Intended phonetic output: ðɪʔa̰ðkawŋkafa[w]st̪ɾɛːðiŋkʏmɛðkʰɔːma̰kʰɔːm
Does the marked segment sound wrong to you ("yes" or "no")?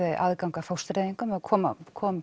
no